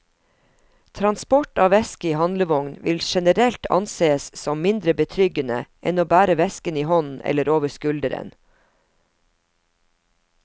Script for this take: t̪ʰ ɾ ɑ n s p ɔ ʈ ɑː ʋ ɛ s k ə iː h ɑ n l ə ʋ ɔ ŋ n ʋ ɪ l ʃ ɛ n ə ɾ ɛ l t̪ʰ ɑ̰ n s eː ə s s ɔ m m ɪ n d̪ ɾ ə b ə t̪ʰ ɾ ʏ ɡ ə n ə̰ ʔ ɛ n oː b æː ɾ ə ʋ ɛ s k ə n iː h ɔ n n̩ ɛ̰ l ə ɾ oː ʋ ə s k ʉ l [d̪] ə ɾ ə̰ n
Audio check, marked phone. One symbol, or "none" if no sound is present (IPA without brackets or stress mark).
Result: d̪